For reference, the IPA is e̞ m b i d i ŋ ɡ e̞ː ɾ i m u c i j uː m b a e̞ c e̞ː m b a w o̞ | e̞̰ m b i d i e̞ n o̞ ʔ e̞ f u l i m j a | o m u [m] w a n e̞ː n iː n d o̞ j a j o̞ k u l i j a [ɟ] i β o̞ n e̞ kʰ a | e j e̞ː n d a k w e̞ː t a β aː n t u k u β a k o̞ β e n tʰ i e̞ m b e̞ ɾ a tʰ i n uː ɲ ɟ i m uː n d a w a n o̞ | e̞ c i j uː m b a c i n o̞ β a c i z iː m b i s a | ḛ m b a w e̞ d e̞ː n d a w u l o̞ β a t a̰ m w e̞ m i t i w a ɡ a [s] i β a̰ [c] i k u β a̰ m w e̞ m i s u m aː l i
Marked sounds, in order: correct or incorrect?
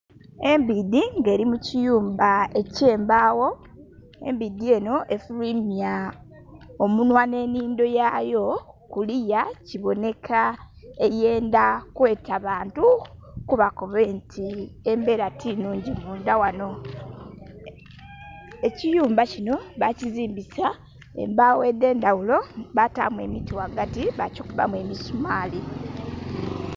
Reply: incorrect: n, incorrect: c, incorrect: t, correct

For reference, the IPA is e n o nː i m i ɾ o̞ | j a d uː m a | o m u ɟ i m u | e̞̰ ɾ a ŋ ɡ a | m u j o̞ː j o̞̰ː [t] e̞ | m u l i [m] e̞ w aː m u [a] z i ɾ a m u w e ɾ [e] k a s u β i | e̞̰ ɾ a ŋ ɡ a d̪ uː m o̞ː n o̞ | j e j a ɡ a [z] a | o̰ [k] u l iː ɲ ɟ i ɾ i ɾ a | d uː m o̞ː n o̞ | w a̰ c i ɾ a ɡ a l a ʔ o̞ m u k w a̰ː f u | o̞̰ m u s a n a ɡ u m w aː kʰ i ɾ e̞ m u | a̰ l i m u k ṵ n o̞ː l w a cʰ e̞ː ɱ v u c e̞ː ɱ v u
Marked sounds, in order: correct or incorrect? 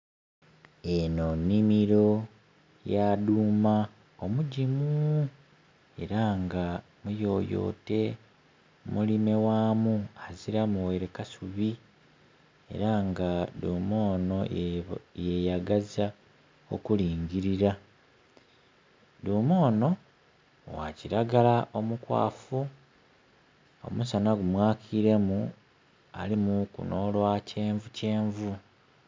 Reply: correct, correct, correct, correct, correct, correct

